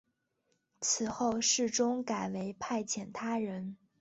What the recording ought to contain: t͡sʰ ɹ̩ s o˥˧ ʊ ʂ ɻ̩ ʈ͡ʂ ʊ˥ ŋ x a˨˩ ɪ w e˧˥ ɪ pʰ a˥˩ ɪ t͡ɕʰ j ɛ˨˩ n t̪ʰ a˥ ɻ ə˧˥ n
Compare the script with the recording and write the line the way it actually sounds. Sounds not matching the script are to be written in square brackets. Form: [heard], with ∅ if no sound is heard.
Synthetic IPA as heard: t͡sʰ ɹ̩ [x] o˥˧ ʊ ʂ ɻ̩ ʈ͡ʂ ʊ˥ ŋ [k] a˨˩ ɪ w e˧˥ ɪ pʰ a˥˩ ɪ t͡ɕʰ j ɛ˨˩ n t̪ʰ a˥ ɻ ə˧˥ n